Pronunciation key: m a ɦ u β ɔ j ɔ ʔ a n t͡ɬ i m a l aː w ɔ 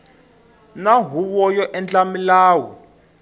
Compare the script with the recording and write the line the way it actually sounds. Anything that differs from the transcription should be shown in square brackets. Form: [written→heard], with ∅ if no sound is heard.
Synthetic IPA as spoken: [m→n] a ɦ u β ɔ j ɔ ʔ [a→ɛ] n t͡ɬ [i→a] m [a→i] l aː w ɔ